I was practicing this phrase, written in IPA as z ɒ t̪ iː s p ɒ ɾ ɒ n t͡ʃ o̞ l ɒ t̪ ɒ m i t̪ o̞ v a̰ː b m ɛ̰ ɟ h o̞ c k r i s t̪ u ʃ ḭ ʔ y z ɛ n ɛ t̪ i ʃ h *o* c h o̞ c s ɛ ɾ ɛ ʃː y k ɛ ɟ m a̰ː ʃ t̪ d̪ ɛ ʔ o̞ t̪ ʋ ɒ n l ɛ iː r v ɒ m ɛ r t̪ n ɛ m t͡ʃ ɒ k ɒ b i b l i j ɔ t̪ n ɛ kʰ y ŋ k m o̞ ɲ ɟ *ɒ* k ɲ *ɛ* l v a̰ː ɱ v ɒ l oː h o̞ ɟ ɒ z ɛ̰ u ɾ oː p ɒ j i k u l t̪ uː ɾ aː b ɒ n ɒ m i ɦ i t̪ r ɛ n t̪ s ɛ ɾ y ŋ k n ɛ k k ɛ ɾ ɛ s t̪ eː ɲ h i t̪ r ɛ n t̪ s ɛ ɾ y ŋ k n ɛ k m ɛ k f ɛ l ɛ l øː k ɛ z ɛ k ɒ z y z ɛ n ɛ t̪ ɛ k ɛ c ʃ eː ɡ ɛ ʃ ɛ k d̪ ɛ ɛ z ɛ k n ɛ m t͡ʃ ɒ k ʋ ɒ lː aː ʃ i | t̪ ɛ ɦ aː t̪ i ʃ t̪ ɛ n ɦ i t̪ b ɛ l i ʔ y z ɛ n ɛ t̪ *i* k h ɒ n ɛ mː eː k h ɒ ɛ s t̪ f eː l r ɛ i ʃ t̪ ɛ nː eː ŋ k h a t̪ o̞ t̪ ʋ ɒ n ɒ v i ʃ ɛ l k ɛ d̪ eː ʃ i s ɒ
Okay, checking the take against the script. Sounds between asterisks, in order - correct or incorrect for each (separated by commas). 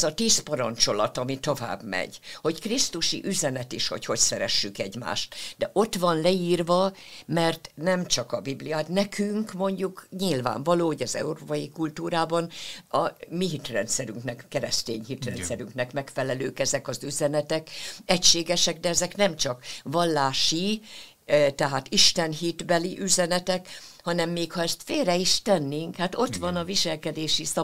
correct, incorrect, incorrect, incorrect